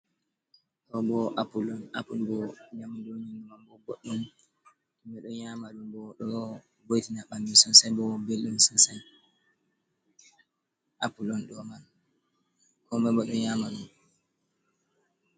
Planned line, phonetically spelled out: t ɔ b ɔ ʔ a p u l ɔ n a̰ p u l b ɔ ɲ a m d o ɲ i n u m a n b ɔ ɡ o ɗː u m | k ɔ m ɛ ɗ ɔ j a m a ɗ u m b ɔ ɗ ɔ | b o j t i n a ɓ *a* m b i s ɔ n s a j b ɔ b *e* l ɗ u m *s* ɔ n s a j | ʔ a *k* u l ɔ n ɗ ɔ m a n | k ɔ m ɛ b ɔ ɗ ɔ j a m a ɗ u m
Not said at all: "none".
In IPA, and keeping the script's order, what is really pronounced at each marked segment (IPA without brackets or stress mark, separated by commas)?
a, e, s, p